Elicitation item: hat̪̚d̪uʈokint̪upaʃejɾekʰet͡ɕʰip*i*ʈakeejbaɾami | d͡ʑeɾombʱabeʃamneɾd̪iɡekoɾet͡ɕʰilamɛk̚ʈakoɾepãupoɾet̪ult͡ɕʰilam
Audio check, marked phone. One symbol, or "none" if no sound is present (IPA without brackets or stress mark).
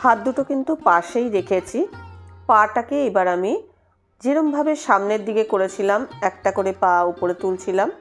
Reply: a